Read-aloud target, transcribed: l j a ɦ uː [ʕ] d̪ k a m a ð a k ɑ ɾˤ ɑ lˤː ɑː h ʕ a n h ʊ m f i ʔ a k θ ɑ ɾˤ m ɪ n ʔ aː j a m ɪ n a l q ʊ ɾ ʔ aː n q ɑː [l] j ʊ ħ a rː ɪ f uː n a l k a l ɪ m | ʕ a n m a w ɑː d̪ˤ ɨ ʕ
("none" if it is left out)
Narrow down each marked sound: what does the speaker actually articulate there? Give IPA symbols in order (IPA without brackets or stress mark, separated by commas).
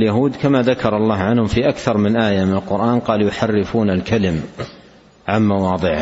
none, l